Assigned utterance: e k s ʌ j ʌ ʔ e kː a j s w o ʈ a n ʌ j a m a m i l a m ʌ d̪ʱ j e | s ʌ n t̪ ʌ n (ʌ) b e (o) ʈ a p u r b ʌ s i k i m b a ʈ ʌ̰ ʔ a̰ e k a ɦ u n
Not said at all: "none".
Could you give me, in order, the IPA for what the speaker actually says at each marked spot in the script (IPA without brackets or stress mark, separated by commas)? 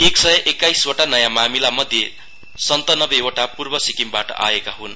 ʌ, o